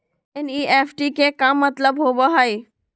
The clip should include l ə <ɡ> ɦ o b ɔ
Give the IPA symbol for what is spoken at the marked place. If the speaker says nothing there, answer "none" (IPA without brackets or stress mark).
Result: b